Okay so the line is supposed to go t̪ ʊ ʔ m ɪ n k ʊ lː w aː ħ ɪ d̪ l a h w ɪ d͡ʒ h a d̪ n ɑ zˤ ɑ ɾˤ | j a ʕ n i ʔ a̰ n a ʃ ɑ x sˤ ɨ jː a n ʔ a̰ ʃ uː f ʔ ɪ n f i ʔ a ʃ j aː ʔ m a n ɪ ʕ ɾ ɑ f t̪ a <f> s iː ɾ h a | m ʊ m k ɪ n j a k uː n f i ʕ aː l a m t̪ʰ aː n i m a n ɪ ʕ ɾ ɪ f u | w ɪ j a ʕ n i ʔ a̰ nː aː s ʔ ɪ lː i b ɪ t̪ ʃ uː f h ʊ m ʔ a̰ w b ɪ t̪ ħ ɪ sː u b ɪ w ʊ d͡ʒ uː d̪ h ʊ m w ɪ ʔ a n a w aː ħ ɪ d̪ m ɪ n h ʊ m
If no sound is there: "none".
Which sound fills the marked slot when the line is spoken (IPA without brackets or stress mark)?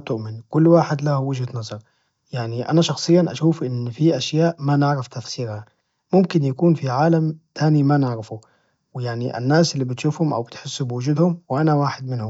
f